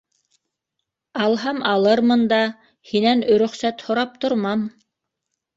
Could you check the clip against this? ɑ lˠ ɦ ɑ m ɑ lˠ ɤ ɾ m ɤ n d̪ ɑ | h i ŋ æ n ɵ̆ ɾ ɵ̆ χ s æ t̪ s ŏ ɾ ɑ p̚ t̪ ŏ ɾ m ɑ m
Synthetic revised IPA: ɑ lˠ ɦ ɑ m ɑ lˠ ɤ ɾ m ɤ n d̪ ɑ | h i n æ n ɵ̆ ɾ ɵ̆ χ s æ t̪ h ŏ ɾ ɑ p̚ t̪ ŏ ɾ m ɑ m